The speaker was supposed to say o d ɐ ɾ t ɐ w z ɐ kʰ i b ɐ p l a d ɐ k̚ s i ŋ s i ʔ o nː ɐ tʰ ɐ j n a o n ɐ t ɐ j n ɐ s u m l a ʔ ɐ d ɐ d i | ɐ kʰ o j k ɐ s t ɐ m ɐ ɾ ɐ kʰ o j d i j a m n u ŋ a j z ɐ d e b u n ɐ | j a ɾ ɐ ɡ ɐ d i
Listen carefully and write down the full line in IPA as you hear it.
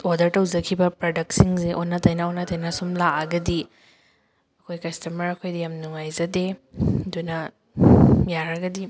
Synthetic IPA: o d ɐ ɾ t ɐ w z ɐ kʰ i b ɐ p ɾ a d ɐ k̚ s i ŋ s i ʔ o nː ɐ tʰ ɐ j n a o n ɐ t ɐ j n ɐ s u m l a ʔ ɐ ɡ ɐ d i | ɐ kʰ o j k ɐ s t ɐ m ɐ ɾ ɐ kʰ o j d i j a m n u ŋ a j z ɐ d e d u n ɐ | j a ɾ ɐ ɡ ɐ d i